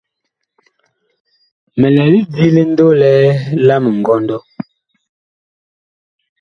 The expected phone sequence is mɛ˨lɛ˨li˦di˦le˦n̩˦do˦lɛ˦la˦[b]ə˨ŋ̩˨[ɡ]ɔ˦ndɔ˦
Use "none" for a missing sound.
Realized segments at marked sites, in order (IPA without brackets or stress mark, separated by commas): m, ɡ